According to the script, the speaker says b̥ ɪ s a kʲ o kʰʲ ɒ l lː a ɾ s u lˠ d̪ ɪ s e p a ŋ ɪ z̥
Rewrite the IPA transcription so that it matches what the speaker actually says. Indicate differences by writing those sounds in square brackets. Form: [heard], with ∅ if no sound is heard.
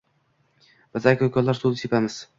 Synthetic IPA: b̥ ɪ [z] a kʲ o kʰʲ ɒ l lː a ɾ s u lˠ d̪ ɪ s e p a [m] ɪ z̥